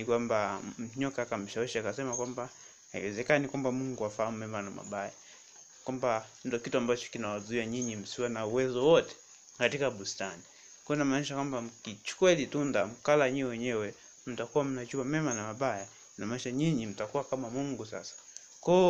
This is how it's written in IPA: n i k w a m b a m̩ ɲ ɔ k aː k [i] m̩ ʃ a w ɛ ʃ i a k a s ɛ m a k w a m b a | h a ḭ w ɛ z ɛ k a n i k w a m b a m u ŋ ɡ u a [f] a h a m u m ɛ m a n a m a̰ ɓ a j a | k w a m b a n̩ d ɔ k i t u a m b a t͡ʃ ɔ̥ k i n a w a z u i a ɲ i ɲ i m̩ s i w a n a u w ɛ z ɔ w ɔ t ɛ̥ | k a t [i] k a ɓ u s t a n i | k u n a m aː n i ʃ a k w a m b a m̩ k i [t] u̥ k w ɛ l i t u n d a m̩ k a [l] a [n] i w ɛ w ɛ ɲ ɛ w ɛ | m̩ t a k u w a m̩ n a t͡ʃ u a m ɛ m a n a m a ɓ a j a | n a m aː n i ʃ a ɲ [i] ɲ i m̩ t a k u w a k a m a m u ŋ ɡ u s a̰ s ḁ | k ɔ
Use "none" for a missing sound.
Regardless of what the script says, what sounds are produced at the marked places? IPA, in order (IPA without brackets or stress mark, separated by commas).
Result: a, f, i, t͡ʃ, l, ɲ, i